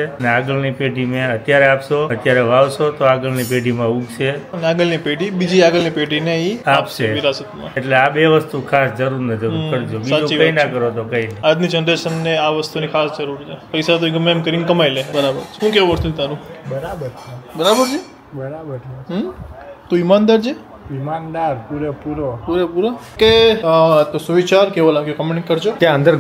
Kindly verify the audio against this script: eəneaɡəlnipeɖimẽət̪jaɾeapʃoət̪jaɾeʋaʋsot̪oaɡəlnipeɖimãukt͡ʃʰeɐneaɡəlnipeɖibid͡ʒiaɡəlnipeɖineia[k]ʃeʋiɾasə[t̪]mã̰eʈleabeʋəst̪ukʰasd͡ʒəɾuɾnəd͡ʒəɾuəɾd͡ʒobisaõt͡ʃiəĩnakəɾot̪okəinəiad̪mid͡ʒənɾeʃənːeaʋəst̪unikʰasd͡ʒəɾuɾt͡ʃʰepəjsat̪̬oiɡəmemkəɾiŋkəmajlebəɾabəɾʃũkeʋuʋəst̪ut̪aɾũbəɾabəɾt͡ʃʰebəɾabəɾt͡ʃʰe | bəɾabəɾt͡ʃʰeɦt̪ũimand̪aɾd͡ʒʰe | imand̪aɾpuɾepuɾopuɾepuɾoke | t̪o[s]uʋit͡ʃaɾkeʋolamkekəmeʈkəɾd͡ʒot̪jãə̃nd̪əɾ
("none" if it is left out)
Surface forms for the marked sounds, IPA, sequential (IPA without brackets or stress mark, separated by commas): p, t̪, s